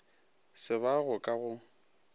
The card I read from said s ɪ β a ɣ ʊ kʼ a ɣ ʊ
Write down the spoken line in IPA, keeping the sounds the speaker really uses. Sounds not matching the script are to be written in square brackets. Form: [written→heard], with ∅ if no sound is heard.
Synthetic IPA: s ɪ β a ɣ ʊ kʼ a ɣ ʊ